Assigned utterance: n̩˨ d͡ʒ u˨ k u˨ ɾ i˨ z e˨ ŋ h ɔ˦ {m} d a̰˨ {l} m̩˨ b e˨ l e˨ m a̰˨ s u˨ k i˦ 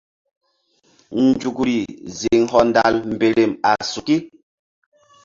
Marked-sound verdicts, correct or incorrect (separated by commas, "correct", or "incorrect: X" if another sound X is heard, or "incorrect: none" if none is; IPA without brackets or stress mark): incorrect: n, correct